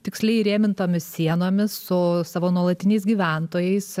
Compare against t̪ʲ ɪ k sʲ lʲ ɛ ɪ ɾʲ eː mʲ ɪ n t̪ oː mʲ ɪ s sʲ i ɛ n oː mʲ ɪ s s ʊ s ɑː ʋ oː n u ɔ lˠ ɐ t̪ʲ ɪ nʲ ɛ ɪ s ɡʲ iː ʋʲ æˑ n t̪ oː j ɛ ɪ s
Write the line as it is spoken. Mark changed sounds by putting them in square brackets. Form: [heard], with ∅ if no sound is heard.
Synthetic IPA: t̪ʲ ɪ k sʲ lʲ ɛ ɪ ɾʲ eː mʲ ɪ n t̪ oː mʲ ɪ s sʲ i ɛ n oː mʲ ɪ s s ʊ s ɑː ʋ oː n u ɔ lˠ ɐ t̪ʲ ɪ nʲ ɛ ɪ s ɡʲ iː ʋʲ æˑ n t̪ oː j ɛ ɪ s